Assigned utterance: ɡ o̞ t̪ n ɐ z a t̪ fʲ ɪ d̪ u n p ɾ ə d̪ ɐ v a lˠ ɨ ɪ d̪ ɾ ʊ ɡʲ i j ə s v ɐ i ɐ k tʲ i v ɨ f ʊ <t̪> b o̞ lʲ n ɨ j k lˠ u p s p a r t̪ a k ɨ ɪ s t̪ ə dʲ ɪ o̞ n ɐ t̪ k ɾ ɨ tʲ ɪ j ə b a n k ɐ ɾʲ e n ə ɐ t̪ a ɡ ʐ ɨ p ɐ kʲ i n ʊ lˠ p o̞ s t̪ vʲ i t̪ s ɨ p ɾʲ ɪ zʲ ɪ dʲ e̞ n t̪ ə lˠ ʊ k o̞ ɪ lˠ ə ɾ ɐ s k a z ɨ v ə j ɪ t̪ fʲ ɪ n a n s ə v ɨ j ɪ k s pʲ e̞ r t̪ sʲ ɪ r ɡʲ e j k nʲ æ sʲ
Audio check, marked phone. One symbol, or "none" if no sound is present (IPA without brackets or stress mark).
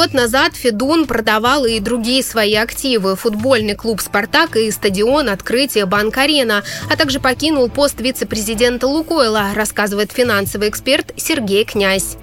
d̪